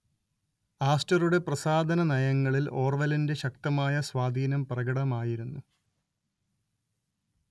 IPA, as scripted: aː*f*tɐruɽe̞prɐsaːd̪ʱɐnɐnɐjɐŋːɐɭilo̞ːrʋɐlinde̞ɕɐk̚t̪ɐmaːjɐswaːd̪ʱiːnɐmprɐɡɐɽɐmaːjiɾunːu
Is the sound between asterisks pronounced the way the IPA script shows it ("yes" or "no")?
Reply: no